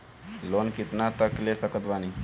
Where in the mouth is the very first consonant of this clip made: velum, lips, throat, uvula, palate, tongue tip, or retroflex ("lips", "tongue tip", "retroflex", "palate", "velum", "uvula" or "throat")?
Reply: tongue tip